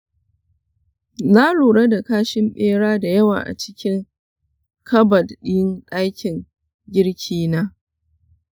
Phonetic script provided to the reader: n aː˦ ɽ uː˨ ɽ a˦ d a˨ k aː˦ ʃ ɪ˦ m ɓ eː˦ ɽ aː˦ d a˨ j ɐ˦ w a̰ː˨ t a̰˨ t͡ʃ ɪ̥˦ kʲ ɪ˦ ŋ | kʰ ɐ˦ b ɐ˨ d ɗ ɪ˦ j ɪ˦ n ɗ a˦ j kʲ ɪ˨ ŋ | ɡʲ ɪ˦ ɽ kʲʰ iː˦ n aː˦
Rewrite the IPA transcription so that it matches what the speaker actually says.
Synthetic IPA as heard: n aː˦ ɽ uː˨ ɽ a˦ d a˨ k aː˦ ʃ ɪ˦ m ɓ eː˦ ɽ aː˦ d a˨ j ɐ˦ w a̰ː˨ ʔ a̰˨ t͡ʃ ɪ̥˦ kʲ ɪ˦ ŋ | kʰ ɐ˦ b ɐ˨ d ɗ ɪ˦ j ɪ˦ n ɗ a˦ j kʲ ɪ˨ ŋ | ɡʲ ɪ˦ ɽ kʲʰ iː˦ n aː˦